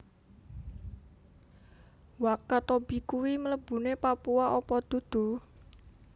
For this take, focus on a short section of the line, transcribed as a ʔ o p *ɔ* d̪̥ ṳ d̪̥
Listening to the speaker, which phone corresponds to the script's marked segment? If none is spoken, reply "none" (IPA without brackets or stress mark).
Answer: ɔ